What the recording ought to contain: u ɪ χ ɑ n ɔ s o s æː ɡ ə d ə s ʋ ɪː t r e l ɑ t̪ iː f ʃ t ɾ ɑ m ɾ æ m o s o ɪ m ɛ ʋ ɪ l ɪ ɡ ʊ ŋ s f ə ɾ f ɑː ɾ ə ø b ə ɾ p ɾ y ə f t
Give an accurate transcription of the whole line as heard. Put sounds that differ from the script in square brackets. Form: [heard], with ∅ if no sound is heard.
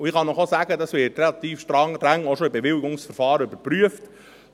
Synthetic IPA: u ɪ χ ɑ n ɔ [χ] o s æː ɡ ə d [ɑ] s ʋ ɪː t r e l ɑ t̪ iː f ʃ t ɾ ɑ [ŋ] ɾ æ [ŋ] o [ʃ] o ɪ [b] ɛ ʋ ɪ l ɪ ɡ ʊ ŋ s f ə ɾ f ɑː ɾ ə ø b ə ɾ p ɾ y ə f t